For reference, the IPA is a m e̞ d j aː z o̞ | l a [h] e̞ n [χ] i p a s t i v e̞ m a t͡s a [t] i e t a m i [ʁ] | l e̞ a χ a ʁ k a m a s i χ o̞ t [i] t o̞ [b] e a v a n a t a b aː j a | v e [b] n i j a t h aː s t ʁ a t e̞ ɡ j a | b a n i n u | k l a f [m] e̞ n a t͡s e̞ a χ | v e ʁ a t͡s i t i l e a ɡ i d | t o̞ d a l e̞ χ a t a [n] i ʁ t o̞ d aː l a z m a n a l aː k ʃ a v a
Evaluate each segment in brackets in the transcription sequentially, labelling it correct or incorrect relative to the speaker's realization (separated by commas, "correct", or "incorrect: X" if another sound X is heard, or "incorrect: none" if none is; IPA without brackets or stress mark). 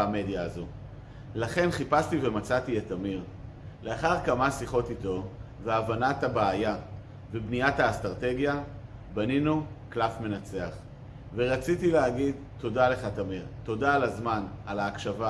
incorrect: χ, correct, correct, correct, correct, incorrect: v, correct, correct, incorrect: m